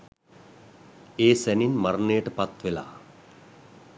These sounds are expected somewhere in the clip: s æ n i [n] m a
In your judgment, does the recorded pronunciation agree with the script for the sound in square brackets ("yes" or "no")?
yes